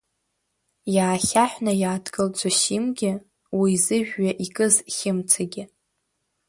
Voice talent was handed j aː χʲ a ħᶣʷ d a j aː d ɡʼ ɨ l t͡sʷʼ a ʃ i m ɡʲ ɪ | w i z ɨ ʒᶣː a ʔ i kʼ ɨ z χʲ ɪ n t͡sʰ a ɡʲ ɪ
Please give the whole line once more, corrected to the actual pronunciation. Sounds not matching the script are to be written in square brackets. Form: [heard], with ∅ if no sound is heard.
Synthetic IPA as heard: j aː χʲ a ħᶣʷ [n] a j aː d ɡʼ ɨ l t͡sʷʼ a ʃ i m ɡʲ ɪ | w i z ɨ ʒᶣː a ʔ i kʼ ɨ z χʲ ɪ [m] t͡sʰ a ɡʲ ɪ